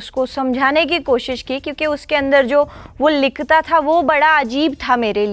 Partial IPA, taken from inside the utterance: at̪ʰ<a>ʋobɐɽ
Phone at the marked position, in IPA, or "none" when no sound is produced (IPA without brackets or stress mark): a